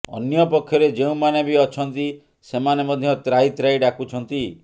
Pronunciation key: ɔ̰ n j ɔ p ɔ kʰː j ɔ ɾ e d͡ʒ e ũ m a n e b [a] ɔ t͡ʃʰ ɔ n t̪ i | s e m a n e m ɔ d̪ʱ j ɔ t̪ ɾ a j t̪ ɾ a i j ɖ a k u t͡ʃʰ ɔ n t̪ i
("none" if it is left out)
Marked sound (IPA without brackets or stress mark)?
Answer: i